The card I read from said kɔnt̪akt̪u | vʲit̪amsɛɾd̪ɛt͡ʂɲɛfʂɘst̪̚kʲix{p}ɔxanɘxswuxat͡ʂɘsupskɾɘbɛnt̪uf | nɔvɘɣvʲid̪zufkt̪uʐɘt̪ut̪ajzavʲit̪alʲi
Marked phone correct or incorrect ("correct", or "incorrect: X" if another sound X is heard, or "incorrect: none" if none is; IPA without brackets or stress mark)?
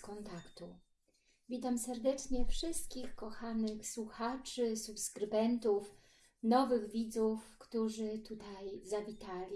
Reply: incorrect: k